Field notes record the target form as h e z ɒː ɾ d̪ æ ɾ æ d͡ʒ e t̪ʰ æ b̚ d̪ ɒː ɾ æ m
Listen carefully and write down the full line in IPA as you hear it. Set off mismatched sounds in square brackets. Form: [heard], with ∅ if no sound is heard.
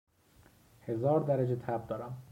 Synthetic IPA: h e z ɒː ɾ d̪ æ ɾ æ d͡ʒ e t̪ʰ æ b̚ d̪ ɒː ɾ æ m